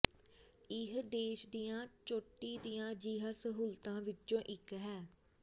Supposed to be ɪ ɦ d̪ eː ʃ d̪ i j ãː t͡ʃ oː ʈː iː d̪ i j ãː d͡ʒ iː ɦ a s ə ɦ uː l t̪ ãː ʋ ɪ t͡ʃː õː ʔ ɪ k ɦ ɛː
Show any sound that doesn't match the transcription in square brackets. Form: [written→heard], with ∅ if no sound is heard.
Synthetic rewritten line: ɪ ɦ d̪ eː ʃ d̪ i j ãː t͡ʃ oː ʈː iː d̪ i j ãː d͡ʒ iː ɦ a s ə ɦ uː l t̪ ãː ʋ ɪ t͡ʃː õː ʔ ɪ k ɦ ɛː